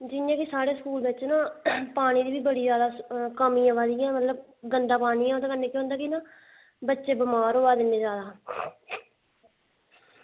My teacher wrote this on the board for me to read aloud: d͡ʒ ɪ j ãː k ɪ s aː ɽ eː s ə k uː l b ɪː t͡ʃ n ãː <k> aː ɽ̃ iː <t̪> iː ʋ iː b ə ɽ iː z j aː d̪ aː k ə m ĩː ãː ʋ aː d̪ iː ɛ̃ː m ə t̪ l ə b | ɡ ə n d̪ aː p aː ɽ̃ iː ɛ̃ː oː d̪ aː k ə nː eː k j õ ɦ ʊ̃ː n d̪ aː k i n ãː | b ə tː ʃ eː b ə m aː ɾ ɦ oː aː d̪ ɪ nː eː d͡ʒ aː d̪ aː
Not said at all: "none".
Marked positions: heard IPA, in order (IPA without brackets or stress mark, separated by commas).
p, d̪